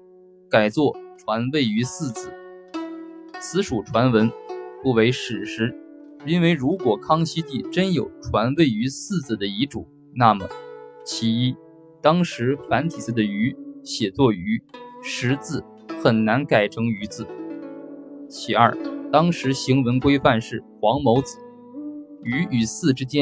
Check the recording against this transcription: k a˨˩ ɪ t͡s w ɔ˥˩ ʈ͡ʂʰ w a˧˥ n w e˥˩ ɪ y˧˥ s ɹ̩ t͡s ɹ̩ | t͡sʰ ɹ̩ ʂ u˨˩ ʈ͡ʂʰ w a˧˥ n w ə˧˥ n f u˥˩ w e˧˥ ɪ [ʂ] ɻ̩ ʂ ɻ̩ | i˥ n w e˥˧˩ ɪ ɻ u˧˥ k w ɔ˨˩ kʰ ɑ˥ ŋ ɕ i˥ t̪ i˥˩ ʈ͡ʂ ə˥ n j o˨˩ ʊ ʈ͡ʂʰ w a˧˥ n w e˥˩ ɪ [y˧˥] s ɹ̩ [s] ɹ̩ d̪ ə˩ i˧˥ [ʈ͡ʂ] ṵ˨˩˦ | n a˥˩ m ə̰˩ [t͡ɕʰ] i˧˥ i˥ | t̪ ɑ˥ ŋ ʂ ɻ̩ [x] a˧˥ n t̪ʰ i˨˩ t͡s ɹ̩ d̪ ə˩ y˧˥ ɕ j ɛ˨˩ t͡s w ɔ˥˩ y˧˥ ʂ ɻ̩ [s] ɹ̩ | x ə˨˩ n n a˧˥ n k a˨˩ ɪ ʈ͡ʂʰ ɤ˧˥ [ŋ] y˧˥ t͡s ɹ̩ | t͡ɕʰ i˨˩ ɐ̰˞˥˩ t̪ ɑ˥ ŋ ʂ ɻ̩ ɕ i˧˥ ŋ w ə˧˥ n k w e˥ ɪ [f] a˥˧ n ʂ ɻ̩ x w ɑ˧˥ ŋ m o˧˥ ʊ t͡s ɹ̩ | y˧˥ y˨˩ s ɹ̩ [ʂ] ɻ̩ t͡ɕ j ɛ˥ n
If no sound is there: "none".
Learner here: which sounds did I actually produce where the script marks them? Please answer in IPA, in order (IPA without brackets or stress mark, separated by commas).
ʂ, y˧˥, t͡s, ʈ͡ʂ, t͡ɕʰ, f, t͡s, ŋ, f, ʈ͡ʂ